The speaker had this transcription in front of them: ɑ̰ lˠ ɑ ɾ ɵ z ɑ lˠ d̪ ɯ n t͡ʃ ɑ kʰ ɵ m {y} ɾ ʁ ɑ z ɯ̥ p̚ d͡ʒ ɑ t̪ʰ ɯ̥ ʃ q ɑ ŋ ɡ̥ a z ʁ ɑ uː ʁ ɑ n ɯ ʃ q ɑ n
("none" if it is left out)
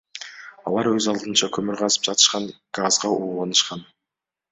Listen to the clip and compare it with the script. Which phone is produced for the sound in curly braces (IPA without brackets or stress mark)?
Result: y